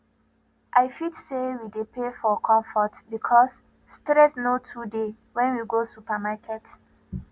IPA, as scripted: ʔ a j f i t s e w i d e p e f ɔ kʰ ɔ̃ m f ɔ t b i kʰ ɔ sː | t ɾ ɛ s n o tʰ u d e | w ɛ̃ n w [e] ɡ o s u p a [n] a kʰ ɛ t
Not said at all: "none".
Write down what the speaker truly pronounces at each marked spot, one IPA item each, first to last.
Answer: i, m

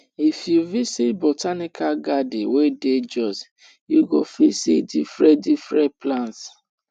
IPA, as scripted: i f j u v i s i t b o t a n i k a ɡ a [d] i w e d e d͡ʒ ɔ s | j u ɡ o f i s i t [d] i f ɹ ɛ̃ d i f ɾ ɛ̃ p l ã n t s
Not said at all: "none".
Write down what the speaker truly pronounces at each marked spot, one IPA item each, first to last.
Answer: d, d

